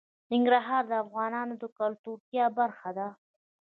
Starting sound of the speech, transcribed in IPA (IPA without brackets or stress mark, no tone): n